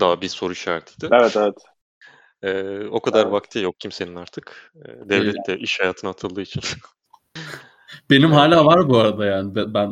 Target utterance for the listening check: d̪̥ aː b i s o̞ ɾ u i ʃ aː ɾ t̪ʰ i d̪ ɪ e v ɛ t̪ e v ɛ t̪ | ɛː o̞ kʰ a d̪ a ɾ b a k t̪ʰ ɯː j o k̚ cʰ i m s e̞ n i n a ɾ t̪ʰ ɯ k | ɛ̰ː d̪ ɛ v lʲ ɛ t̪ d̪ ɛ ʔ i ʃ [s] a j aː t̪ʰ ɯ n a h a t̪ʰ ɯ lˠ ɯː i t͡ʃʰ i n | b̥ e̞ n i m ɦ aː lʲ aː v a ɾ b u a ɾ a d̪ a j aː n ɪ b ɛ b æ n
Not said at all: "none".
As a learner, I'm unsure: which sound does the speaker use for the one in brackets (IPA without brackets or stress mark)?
h